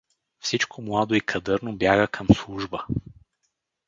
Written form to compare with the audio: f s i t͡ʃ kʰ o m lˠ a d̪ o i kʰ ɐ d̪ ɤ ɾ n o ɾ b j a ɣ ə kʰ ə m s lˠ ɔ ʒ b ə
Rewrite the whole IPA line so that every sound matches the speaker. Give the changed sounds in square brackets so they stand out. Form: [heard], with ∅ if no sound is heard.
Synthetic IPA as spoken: f s i t͡ʃ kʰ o m lˠ a d̪ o i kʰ ɐ d̪ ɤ ɾ n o [∅] b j a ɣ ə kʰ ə m s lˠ [u] ʒ b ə